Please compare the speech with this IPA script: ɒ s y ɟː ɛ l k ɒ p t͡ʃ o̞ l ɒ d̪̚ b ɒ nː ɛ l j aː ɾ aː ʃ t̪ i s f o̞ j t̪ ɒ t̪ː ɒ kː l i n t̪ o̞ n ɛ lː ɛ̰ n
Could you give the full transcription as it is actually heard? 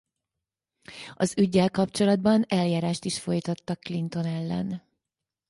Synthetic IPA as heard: ɒ z y ɟː ɛ l k ɒ p t͡ʃ o̞ l ɒ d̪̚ b ɒ n ɛ l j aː ɾ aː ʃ t̪ i ʃ f o̞ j t̪ ɒ t̪ː ɒ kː l i n t̪ o̞ n ɛ lː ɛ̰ n